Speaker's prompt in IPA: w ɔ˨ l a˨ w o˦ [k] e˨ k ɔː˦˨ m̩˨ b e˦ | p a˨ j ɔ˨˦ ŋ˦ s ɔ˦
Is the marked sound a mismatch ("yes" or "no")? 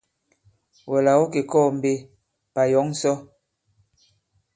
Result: no